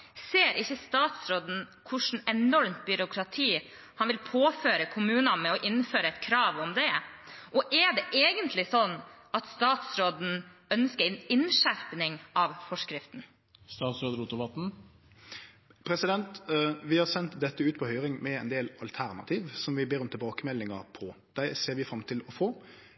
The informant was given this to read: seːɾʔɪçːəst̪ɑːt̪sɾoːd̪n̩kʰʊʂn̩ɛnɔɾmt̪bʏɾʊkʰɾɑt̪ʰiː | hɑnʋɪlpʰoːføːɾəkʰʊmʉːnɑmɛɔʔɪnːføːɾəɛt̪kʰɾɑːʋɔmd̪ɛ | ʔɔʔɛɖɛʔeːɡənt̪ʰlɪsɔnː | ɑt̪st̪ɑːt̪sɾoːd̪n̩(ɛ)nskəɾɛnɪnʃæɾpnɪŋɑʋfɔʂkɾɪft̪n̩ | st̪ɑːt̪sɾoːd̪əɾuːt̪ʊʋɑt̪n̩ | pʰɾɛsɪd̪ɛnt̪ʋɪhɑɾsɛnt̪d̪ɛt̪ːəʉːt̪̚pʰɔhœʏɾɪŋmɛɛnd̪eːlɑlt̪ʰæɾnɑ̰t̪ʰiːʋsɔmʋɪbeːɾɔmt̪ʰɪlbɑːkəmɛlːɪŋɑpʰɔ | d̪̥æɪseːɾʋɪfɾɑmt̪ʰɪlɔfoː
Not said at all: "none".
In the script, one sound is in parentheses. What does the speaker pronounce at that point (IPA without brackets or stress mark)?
œ